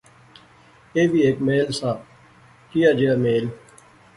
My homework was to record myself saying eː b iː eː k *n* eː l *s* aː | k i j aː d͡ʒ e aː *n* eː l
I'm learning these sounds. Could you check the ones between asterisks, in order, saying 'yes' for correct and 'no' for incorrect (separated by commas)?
no, yes, no